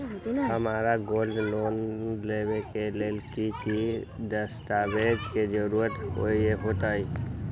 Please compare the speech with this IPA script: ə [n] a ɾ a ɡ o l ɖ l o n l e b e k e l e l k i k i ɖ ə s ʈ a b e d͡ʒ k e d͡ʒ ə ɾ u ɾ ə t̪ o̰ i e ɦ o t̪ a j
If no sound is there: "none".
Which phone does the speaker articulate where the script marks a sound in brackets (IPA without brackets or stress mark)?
m